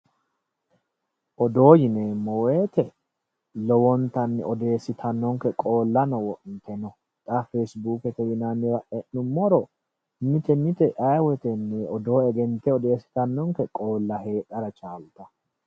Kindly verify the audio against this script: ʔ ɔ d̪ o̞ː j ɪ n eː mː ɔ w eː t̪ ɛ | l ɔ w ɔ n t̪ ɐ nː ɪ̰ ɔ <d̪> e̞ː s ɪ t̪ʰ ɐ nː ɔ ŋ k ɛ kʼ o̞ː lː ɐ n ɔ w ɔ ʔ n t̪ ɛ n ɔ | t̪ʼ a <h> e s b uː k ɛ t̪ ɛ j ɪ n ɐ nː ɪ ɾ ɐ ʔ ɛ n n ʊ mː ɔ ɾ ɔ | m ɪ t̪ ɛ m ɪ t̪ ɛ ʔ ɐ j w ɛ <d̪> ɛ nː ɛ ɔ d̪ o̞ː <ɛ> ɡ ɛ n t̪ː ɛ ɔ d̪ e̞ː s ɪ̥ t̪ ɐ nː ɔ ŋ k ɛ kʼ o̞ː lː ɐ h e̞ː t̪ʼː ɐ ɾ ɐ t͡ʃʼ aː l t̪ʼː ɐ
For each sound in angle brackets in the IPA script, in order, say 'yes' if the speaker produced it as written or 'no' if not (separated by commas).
yes, no, no, yes